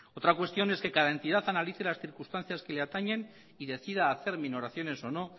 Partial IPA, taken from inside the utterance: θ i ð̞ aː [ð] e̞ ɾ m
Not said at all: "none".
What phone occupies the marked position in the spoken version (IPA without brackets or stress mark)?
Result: θ